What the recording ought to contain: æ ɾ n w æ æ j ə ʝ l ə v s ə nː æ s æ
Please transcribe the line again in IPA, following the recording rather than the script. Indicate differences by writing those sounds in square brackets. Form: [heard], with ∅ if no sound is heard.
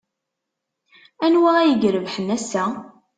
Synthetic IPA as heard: æ [∅] n w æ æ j ə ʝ [ɾ] ə v [ħ] ə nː æ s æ